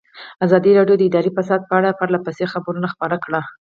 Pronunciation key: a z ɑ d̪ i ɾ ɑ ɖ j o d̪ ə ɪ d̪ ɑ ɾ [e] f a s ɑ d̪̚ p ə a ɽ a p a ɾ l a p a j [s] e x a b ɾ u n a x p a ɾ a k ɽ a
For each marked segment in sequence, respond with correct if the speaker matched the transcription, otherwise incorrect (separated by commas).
incorrect, correct